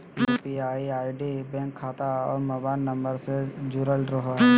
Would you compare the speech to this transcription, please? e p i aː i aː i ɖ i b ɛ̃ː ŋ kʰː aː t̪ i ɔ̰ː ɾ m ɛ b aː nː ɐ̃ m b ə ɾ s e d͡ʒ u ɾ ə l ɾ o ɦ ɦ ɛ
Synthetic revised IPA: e p i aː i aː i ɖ i b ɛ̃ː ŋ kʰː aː t̪ a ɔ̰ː ɾ m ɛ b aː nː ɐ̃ m b ə ɾ s e d͡ʒ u ɾ ə l ɾ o ɦ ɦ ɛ